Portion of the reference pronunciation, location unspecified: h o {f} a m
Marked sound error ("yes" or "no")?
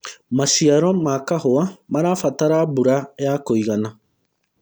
yes